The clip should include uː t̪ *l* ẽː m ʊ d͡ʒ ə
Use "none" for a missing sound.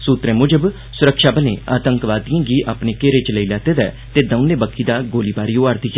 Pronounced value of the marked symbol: ɾ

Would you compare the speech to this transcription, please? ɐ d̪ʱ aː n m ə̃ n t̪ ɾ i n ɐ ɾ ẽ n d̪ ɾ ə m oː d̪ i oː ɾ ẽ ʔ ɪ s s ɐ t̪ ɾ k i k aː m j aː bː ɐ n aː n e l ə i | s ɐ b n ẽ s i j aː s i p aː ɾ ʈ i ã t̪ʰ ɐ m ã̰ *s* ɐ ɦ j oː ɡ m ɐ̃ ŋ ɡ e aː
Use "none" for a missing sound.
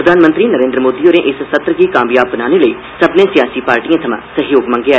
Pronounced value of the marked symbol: s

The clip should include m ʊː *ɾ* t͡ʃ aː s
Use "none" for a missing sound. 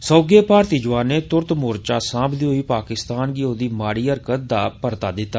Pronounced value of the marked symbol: ɾ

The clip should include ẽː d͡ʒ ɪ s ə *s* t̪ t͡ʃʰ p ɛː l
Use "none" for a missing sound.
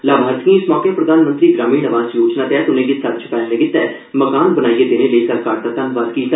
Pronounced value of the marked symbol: none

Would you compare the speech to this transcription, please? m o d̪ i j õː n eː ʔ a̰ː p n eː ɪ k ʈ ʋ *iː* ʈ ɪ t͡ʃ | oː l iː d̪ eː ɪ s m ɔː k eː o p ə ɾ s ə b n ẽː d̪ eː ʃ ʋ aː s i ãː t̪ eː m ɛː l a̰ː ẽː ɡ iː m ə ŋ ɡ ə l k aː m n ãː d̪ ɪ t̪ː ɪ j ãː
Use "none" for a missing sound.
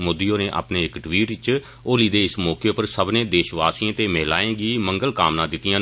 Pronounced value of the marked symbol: iː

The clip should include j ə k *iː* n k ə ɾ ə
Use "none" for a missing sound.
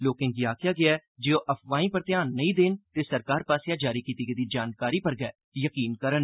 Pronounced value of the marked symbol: iː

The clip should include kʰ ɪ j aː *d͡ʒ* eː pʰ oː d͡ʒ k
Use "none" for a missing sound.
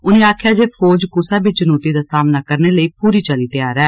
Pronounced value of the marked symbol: d͡ʒ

